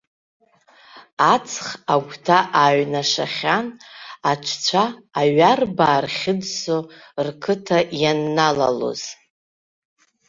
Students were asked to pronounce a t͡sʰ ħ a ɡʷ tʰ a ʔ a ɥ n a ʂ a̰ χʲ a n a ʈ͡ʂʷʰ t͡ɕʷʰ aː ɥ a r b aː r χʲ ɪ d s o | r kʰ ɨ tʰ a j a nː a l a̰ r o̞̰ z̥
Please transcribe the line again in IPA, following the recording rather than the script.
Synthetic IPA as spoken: a t͡sʰ χ a ɡʷ tʰ a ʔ a ɥ n a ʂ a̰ χʲ a n a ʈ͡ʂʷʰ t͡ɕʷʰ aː ɥ a r b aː r χʲ ɪ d s o | r kʰ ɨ tʰ a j a nː a l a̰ l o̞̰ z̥

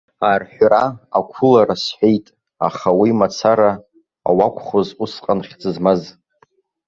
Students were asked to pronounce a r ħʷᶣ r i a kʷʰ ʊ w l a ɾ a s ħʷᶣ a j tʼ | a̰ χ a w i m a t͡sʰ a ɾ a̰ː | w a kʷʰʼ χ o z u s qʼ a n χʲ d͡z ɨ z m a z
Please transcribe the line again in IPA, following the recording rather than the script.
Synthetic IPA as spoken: a r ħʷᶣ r a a kʷʰ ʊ l a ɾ a s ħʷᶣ e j tʼ | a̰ χ a w i m a t͡sʰ a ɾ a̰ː | w a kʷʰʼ χ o z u s qʼ a n χʲ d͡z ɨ z m a z

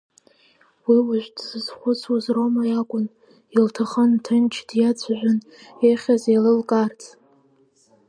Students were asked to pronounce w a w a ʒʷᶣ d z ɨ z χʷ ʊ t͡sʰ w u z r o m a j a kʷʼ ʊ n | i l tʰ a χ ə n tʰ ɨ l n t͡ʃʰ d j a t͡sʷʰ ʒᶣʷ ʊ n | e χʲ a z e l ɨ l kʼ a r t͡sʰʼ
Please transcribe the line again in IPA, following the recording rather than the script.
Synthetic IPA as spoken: w i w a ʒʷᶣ d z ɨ z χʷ ʊ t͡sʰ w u z r o m a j a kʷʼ ʊ n | i l tʰ a χ ə n tʰ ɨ n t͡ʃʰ d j a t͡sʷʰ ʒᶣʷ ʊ n | e χʲ a z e l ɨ l kʼ a r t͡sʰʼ

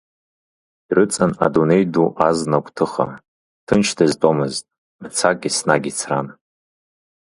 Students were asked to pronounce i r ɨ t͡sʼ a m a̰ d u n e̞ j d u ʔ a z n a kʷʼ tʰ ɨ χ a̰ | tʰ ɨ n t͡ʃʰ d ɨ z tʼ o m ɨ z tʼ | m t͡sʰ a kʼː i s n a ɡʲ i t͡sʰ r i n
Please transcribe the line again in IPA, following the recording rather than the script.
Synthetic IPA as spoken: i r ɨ t͡sʼ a n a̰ d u n e̞ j d u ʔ a z n a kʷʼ tʰ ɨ χ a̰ | tʰ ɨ n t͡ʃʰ d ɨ z tʼ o m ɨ z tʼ | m t͡sʰ a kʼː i s n a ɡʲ i t͡sʰ r a n

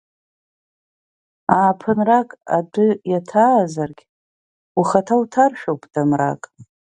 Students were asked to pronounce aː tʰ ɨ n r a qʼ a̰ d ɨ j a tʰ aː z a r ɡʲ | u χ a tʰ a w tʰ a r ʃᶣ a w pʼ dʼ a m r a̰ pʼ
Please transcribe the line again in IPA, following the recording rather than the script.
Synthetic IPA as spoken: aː pʰ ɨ n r a kʼ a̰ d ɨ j a tʰ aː z a r ɡʲ | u χ a tʰ a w tʰ a r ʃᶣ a w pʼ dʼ a m r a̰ kʼ

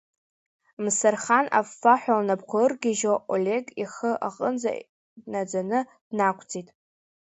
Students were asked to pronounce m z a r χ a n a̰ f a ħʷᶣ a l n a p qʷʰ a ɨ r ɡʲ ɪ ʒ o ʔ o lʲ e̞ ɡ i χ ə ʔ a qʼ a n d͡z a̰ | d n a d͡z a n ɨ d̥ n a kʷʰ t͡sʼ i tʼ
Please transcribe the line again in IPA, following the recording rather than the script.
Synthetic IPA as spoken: m s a r χ a n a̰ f a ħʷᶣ a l n a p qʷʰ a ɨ r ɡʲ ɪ ʒ o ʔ o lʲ e̞ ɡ i χ ə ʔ a qʼ ə n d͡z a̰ | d n a d͡z a n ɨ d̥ n a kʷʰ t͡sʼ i tʼ

